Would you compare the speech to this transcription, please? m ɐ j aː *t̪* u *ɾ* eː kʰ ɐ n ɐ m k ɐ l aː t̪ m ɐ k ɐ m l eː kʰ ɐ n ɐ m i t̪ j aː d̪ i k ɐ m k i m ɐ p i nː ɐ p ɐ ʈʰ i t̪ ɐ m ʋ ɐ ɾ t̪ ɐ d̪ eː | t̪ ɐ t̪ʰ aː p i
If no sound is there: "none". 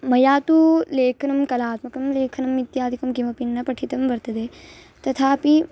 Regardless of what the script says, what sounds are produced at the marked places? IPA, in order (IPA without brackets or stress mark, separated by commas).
t̪, l